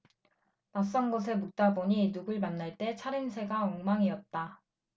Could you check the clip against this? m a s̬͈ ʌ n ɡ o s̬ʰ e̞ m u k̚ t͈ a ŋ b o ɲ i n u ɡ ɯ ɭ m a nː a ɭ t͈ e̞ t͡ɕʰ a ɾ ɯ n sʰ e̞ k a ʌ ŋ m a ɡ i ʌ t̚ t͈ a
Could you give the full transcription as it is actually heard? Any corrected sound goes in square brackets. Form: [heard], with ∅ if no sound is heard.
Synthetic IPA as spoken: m a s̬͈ ʌ n ɡ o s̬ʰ e̞ m u k̚ t͈ a [∅] b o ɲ i n u ɡ ɯ ɭ m a nː a ɭ t͈ e̞ t͡ɕʰ a ɾ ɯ n sʰ e̞ [ɡ] a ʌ ŋ m a [ŋ] i ʌ t̚ t͈ a